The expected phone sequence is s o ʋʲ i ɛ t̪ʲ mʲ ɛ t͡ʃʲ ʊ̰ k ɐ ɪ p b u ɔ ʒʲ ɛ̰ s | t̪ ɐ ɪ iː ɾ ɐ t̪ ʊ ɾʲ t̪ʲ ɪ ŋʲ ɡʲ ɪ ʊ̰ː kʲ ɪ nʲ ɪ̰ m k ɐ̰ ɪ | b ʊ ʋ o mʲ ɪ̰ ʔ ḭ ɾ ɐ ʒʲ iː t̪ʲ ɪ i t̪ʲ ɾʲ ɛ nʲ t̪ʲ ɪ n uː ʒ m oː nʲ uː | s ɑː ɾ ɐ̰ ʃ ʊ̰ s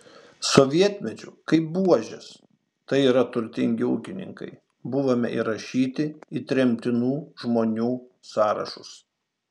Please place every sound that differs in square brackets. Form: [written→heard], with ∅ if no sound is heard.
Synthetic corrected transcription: s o ʋʲ i ɛ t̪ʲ mʲ ɛ t͡ʃʲ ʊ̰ k ɐ ɪ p b u ɔ ʒʲ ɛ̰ s | t̪ ɐ ɪ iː ɾ ɐ t̪ ʊ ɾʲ t̪ʲ ɪ ŋʲ ɡʲ ɪ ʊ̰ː kʲ ɪ nʲ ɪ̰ [m→ŋ] k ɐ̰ ɪ | b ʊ ʋ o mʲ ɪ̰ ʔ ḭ ɾ ɐ [ʒʲ→ʃʲ] iː t̪ʲ ɪ i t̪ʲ ɾʲ ɛ [nʲ→mʲ] t̪ʲ ɪ n uː ʒ m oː nʲ uː | s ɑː ɾ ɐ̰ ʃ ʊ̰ s